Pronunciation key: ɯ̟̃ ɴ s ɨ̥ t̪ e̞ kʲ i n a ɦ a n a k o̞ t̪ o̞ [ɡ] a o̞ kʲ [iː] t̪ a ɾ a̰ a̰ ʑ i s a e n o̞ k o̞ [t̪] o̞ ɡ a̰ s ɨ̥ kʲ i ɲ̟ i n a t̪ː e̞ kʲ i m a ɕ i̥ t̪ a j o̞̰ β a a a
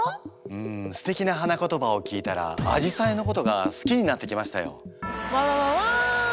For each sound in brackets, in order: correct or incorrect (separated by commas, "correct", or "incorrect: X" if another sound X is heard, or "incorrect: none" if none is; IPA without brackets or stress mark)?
incorrect: b, correct, correct